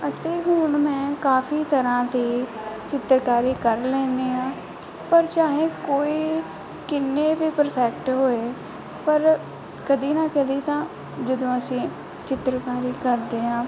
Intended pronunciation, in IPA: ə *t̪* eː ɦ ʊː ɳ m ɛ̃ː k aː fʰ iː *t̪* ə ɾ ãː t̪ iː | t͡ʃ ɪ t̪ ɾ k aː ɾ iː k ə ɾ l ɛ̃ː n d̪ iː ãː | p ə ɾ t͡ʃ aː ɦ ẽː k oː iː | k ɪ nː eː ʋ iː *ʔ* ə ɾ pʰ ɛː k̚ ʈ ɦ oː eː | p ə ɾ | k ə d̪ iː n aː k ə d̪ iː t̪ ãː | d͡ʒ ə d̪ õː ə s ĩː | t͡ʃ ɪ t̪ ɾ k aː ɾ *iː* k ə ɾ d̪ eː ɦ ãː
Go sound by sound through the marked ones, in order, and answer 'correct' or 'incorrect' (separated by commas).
correct, correct, incorrect, correct